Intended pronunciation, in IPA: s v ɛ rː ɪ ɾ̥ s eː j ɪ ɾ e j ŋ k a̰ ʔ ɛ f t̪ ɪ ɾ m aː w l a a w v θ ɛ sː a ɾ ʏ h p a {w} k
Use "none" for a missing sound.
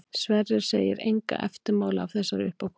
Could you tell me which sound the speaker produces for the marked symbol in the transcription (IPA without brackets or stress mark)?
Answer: w